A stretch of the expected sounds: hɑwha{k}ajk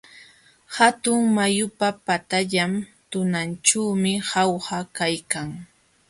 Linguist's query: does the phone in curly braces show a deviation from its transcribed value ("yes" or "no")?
no